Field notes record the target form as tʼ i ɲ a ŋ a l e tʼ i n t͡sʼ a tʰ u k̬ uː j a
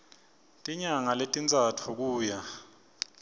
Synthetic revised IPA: tʼ i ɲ a ŋ a l e tʼ i n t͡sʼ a tʰ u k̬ uː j a